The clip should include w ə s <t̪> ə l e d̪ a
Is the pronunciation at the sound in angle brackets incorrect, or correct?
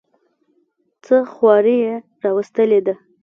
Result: correct